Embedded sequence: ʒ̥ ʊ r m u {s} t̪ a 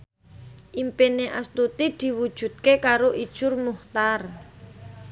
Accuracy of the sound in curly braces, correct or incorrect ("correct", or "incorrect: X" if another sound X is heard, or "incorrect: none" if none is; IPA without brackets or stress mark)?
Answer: incorrect: h